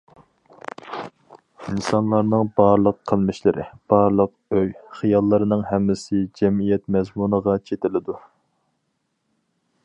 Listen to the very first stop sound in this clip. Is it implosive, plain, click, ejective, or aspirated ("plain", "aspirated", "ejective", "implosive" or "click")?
plain